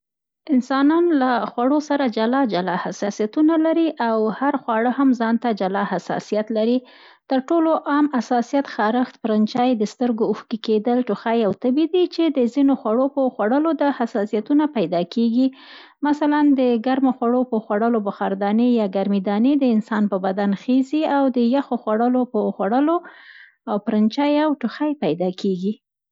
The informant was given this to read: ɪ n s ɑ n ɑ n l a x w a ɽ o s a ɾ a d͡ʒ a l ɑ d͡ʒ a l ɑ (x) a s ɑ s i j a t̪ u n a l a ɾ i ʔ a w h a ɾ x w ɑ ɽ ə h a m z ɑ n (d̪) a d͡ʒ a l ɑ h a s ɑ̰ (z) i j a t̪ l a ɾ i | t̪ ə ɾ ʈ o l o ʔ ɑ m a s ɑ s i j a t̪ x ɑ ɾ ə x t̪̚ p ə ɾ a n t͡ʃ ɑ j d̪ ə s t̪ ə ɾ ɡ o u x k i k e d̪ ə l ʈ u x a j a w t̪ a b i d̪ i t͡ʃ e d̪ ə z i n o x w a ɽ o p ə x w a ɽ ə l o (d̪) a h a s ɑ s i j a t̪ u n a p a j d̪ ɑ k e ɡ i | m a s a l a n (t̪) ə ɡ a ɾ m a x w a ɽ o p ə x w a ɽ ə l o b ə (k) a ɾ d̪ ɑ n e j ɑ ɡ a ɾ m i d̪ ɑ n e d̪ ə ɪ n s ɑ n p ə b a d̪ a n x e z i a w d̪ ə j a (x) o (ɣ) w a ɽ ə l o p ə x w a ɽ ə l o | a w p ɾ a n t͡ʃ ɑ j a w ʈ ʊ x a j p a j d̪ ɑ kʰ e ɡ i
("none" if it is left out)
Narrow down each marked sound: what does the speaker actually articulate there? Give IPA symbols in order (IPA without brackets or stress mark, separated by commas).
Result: h, t̪, s, d̪, d̪, x, x, x